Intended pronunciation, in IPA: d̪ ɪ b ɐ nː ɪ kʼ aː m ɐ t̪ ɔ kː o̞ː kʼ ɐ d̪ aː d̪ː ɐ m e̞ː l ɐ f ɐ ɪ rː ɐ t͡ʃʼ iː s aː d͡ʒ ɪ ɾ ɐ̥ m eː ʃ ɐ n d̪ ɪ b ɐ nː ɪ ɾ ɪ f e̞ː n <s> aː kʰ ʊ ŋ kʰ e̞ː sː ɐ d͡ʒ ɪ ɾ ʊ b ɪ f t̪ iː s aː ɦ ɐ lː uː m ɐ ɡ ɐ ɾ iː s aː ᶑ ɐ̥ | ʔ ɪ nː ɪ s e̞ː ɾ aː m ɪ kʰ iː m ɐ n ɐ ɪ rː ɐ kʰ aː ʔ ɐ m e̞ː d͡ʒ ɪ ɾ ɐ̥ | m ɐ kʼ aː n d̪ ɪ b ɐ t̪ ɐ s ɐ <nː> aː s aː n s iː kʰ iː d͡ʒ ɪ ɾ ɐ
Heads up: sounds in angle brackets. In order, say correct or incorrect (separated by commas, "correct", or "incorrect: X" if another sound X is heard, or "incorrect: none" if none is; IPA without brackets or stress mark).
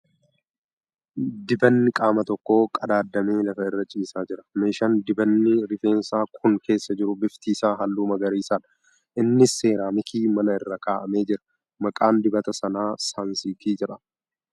correct, incorrect: n